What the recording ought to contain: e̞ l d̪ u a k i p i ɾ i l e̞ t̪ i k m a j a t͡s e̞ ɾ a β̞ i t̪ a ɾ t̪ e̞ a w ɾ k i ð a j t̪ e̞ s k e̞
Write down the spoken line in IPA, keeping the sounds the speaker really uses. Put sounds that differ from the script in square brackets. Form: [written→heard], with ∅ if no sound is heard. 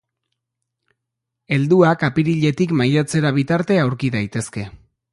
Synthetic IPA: e̞ l d̪ u a k [i→a] p i ɾ i [l→ʎ] e̞ t̪ i k m a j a t͡s e̞ ɾ a β̞ i t̪ a ɾ t̪ e̞ a w ɾ k i ð a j t̪ e̞ s k e̞